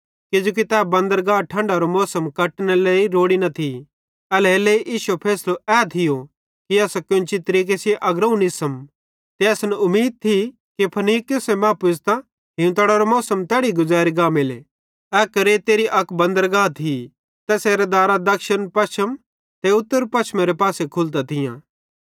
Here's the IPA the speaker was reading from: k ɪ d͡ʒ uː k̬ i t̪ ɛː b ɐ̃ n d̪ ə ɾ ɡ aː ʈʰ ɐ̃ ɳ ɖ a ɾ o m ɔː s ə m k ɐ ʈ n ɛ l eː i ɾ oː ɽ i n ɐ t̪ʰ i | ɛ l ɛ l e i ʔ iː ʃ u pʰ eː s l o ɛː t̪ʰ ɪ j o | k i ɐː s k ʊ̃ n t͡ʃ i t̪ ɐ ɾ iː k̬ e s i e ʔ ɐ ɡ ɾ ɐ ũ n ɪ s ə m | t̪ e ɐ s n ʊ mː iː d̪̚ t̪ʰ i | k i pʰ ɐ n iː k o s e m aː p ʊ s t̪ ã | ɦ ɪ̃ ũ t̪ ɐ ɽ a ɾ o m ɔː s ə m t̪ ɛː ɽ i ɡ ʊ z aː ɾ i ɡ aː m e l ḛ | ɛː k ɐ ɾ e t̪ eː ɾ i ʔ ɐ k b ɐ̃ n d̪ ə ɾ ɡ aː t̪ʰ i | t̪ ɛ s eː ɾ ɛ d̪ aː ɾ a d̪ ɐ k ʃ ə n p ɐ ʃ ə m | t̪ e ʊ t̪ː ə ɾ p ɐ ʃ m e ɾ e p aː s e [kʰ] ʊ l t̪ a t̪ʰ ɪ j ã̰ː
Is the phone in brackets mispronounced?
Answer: no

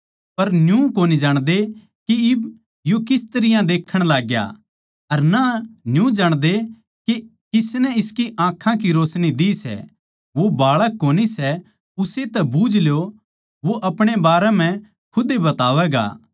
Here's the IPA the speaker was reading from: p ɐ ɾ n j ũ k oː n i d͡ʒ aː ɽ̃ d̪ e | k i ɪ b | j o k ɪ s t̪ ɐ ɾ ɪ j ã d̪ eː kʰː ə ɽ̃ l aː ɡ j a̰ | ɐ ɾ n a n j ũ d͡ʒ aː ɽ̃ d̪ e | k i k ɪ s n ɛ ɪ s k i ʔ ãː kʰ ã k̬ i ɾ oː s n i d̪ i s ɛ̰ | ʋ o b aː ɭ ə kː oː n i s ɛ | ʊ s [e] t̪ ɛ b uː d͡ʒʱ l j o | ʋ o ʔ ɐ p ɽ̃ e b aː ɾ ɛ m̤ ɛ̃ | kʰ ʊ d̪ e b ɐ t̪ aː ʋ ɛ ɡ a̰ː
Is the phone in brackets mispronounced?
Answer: no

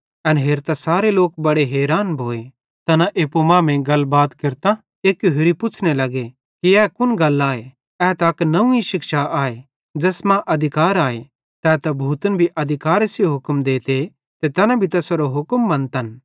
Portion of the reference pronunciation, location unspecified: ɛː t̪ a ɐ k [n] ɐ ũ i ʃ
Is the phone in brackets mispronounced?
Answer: no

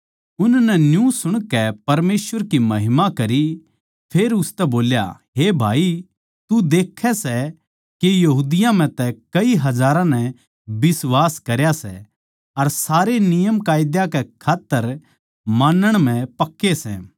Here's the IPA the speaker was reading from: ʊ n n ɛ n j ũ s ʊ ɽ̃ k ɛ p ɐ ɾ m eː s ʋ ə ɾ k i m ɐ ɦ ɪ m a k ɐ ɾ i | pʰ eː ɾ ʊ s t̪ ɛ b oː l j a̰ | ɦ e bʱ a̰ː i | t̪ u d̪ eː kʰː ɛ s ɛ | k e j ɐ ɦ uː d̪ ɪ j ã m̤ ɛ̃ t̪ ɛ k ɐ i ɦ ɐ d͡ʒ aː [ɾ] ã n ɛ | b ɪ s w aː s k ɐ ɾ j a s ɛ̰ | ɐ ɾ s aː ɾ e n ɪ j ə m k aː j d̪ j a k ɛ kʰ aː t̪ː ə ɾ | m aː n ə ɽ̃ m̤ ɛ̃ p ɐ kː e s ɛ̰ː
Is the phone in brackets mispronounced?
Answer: no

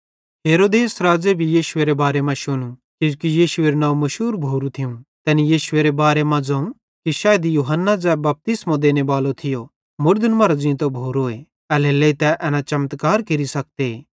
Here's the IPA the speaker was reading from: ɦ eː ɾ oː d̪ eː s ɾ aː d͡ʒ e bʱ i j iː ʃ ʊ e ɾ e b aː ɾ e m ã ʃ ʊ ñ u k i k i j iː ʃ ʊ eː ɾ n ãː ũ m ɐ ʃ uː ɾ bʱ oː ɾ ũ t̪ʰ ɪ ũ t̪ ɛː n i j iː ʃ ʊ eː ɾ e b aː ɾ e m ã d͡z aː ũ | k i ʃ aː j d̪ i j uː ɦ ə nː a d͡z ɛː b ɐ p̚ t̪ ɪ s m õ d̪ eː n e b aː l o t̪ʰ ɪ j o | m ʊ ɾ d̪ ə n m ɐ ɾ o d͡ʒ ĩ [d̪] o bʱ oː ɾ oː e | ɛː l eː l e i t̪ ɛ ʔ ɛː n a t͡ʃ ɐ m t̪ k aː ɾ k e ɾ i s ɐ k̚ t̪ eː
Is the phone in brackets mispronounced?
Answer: yes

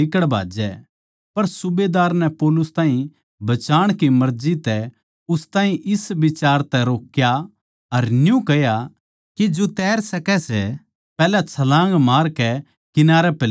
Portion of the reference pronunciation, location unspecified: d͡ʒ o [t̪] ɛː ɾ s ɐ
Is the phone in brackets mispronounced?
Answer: no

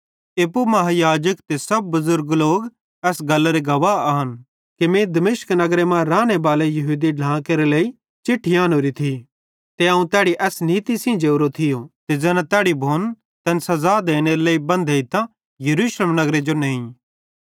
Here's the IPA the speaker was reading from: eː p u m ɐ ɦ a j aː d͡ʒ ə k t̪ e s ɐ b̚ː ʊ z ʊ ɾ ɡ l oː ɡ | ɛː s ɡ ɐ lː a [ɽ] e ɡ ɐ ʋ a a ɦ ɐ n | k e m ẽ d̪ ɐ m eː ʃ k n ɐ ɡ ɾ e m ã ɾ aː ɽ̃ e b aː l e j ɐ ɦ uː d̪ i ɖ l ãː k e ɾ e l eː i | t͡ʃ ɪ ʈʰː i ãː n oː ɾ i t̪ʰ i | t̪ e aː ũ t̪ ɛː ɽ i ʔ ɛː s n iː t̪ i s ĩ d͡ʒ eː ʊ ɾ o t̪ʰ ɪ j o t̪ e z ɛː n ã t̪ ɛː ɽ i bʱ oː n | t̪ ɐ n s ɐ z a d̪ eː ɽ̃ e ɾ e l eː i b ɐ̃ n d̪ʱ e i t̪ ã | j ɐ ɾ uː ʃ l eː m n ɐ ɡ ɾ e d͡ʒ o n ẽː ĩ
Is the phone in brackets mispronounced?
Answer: yes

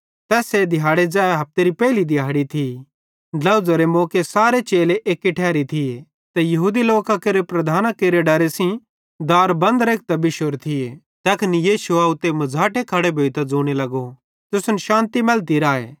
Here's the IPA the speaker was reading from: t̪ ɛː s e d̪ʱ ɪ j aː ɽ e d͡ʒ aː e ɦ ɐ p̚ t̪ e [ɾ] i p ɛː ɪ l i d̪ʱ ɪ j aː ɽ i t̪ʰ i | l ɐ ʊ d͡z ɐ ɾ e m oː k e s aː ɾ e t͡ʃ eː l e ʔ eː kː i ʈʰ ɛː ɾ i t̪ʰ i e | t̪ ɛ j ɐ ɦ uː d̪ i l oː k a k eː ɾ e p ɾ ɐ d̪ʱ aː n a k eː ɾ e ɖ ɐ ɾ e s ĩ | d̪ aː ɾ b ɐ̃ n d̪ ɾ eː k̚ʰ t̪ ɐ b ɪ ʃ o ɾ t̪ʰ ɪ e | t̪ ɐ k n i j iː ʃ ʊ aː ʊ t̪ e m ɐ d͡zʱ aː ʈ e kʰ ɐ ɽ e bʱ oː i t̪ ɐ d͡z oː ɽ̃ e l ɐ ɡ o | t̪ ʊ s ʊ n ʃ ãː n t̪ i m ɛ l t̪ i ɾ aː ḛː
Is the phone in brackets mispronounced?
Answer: no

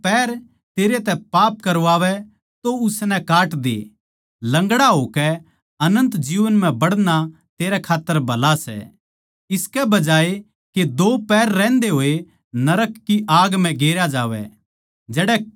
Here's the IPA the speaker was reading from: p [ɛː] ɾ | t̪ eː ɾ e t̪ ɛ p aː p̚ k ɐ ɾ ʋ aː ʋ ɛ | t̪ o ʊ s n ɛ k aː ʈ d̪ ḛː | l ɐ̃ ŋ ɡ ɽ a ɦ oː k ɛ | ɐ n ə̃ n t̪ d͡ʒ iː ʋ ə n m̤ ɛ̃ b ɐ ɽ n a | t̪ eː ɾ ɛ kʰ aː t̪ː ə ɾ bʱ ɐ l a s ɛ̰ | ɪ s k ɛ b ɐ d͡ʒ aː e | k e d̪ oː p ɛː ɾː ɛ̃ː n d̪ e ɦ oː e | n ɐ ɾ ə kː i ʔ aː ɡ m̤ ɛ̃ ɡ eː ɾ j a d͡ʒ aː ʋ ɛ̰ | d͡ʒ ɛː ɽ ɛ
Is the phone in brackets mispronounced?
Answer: no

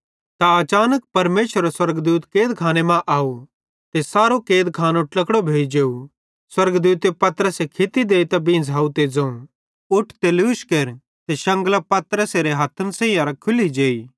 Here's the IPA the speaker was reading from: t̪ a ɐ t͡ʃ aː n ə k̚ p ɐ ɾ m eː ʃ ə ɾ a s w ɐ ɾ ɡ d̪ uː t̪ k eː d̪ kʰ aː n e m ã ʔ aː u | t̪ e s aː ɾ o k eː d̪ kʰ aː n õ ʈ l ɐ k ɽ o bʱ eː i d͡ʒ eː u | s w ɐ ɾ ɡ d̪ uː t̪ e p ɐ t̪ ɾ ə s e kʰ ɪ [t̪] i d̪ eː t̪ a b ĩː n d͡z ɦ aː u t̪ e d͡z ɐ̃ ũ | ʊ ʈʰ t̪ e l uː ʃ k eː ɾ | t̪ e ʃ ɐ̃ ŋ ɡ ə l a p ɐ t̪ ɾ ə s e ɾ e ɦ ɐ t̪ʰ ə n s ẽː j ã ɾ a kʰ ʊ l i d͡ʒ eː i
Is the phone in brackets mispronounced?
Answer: no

